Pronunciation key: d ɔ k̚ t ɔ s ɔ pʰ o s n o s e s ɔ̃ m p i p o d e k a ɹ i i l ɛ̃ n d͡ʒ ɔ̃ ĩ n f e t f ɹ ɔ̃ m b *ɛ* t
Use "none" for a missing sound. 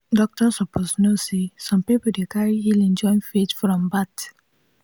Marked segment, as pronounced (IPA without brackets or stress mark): a